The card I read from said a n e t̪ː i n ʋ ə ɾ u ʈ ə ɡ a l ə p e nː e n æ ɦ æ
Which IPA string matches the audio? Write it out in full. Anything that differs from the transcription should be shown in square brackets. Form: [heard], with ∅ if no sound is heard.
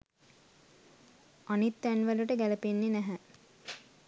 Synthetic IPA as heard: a n [i] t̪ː [æ] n ʋ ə [l] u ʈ ə ɡ [æ] l ə p e nː e n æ ɦ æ